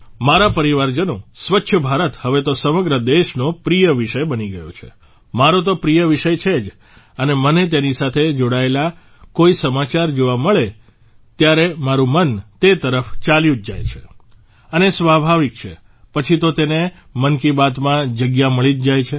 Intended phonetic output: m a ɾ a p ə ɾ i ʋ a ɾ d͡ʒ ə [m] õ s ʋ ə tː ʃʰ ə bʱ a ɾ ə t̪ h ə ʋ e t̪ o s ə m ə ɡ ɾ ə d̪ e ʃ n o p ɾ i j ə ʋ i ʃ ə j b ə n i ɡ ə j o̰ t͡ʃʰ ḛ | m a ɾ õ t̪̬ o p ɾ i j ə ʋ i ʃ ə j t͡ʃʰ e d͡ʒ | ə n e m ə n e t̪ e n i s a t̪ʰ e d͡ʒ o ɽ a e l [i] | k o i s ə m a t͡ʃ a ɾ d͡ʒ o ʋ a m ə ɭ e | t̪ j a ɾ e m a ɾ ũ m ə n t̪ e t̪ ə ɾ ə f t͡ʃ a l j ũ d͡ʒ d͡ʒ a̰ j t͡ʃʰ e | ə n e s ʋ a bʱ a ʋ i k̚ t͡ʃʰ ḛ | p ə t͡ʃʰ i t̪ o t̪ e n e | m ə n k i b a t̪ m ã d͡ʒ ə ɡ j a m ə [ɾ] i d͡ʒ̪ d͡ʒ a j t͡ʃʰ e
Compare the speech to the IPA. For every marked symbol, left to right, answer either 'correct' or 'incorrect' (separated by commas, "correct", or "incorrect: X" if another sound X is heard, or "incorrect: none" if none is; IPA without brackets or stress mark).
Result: incorrect: n, incorrect: a, incorrect: ɭ